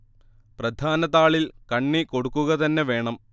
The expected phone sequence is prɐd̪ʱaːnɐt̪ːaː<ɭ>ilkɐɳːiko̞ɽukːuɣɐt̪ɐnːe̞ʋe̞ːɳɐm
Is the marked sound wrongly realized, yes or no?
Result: no